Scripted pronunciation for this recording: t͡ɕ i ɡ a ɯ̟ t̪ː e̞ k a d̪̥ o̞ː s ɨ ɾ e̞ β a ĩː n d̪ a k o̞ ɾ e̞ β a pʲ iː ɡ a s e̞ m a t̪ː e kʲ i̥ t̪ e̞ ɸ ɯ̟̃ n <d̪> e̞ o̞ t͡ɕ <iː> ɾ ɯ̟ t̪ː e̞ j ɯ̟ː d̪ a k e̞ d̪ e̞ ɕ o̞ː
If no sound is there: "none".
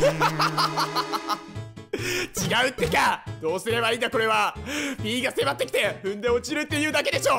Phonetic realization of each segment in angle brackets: d̪, i

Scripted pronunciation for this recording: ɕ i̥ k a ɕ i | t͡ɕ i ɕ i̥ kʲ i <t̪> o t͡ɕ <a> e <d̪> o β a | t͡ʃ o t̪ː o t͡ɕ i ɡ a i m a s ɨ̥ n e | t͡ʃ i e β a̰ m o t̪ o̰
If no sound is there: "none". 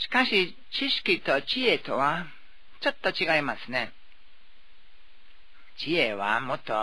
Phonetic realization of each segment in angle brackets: t̪, i, t̪

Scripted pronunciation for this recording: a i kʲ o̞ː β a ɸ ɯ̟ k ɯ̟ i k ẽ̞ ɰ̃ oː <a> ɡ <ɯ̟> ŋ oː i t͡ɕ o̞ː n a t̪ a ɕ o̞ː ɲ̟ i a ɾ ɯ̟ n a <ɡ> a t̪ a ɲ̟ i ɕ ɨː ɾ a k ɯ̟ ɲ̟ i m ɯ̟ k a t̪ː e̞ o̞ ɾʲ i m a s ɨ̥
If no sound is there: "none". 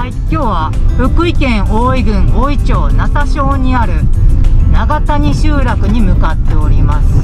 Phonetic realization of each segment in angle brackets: i, ɯ̟̃, ɡ

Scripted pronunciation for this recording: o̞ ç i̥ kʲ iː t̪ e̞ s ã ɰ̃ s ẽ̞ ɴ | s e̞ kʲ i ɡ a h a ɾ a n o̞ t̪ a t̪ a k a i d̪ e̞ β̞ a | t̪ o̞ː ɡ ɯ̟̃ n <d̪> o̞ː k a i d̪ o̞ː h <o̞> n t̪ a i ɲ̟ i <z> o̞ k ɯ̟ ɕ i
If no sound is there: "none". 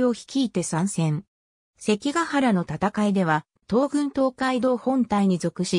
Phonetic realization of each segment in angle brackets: t̪, õ̞, z

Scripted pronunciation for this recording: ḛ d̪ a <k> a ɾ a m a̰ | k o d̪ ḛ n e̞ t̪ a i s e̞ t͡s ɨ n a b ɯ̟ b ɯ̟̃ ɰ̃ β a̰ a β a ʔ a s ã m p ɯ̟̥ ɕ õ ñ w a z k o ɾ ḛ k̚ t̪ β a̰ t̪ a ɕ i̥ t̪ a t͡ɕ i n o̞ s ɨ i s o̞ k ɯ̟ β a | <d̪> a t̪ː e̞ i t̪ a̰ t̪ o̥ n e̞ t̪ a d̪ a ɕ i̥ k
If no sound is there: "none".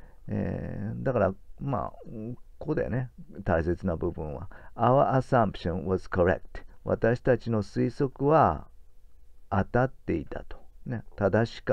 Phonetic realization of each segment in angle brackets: k, t̪

